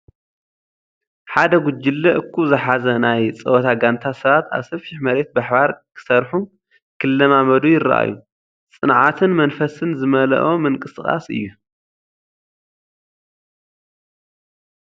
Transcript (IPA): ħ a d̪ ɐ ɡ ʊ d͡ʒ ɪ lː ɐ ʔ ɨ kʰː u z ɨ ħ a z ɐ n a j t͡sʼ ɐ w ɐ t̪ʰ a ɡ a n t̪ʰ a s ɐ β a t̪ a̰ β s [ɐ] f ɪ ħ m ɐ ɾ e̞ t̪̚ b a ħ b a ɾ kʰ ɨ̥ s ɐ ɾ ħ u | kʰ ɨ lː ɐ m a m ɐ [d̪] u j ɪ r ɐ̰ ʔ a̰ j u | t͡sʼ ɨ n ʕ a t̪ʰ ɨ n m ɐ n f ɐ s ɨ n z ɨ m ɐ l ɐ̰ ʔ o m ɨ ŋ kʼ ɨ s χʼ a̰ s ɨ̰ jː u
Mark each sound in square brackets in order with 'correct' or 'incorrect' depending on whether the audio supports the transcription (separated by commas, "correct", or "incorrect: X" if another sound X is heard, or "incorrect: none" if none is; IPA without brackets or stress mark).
correct, correct